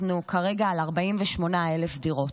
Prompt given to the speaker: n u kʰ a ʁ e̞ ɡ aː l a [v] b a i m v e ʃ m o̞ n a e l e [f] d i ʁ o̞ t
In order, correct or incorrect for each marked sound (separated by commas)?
incorrect, correct